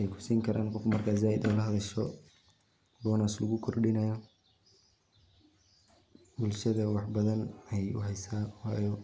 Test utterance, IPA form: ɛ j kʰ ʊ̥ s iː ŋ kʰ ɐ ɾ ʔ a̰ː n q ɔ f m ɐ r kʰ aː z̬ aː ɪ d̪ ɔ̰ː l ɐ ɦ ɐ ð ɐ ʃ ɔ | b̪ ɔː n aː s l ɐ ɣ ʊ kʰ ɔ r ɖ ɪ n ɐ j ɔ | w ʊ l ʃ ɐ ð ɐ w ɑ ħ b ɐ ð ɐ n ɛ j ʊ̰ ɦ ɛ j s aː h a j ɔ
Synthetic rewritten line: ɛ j kʰ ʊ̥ s iː ŋ kʰ ɐ ɾ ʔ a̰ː n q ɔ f m ɐ r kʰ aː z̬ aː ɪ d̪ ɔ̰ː l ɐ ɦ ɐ ð ɐ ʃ ɔ | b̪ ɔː n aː s l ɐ ɣ ʊ kʰ ɔ r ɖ ɪ n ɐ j ɔ | b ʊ l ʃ ɐ ð ɐ w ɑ ħ b ɐ ð ɐ n ɛ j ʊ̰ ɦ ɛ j s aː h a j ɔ